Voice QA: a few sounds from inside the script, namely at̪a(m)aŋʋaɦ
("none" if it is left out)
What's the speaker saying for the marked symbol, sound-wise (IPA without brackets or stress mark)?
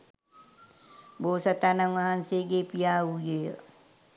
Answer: n